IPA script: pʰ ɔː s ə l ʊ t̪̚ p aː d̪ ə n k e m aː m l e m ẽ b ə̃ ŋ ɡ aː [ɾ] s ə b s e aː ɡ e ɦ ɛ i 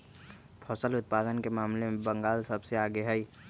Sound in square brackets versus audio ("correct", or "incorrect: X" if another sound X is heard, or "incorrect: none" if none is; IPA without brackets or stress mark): incorrect: l